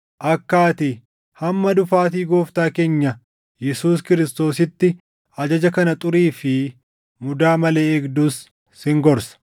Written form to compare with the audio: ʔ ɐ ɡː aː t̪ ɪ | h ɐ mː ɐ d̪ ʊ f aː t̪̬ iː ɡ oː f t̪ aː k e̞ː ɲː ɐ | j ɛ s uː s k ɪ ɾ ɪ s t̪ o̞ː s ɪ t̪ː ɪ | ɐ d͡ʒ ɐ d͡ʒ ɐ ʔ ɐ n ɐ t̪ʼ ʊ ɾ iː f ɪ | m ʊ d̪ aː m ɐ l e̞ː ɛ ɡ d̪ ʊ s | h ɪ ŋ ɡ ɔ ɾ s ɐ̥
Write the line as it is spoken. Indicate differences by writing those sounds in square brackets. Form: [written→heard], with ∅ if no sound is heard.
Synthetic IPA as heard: ʔ ɐ [ɡː→kː] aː t̪ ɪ | h ɐ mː ɐ d̪ ʊ f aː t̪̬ iː ɡ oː f t̪ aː k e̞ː ɲː ɐ | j ɛ s uː s k ɪ ɾ ɪ s t̪ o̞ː s ɪ t̪ː ɪ | ɐ d͡ʒ ɐ d͡ʒ ɐ [ʔ→k] ɐ n ɐ t̪ʼ ʊ ɾ iː f ɪ | m ʊ d̪ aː m ɐ l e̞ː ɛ ɡ d̪ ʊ s | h ɪ ŋ ɡ ɔ ɾ s ɐ̥